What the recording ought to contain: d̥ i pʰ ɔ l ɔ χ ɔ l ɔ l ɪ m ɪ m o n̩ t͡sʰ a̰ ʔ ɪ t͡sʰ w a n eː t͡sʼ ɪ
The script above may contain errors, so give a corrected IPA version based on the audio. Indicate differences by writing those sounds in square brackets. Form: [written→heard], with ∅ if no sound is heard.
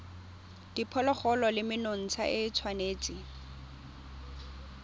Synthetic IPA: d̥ i pʰ ɔ l ɔ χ ɔ l ɔ l ɪ m ɪ [m→n] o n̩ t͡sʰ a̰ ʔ ɪ t͡sʰ w a n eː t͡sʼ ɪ